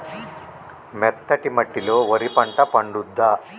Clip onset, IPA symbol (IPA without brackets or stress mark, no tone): m